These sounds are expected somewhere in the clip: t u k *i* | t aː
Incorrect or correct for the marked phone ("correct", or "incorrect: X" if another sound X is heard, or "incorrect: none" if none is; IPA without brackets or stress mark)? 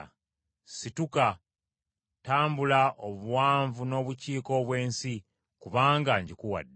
incorrect: a